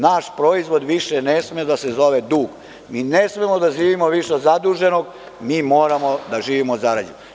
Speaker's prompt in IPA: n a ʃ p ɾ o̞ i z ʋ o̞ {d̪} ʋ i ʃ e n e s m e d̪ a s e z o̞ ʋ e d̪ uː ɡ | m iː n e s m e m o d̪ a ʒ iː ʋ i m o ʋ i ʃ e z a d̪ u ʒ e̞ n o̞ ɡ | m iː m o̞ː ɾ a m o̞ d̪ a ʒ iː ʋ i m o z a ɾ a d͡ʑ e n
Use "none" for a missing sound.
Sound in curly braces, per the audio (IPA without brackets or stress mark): d̪